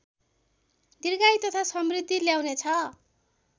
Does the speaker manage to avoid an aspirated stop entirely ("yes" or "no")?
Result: no